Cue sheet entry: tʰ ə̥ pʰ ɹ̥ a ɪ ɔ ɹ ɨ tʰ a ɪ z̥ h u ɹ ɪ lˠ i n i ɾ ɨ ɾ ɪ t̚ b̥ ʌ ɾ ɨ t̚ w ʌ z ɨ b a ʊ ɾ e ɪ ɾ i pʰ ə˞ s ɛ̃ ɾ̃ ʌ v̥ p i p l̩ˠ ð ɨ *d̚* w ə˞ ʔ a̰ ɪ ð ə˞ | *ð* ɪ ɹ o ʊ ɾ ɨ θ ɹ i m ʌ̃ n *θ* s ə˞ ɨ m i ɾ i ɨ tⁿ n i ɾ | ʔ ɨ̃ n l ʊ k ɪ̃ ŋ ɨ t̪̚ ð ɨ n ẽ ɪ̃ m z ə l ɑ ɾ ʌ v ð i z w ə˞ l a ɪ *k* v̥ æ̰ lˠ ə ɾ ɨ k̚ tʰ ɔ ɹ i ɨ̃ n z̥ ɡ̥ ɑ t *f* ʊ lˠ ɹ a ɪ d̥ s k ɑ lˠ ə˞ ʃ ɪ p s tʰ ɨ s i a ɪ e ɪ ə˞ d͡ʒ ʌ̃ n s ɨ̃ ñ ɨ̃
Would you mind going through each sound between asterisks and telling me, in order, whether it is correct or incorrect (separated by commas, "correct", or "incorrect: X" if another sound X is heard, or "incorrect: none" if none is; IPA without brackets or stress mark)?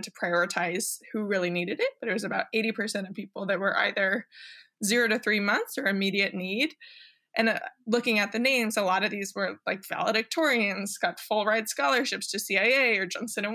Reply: incorrect: t̚, incorrect: z, correct, correct, correct